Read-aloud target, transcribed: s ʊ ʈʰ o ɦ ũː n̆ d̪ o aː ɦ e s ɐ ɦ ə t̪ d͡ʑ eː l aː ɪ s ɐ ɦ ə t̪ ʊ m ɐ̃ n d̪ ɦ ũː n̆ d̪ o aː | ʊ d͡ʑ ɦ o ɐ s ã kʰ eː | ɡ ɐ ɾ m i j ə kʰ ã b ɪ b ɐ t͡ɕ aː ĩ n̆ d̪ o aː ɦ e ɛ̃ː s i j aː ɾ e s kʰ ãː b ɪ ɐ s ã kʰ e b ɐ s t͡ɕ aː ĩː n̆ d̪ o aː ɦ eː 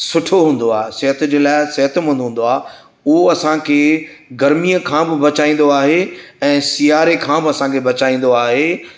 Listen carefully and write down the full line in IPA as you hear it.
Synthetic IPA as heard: s ʊ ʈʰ o ɦ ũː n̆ d̪ o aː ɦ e s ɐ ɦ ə t̪ d͡ʑ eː l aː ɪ s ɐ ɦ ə t̪ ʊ m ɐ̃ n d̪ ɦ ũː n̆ d̪ o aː | ʊ ɦ o ɐ s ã kʰ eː | ɡ ɐ ɾ m i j ə kʰ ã b ɪ b ɐ t͡ɕ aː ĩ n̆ d̪ o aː ɦ e ɛ̃ː s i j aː ɾ e kʰ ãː b ɪ ɐ s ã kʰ e b ɐ t͡ɕ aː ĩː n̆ d̪ o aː ɦ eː